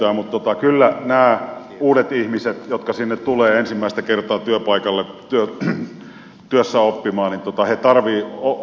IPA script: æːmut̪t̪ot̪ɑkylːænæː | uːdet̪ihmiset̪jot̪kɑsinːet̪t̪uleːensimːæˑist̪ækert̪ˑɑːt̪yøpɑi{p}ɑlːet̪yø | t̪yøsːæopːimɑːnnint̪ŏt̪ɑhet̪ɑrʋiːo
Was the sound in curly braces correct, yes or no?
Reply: no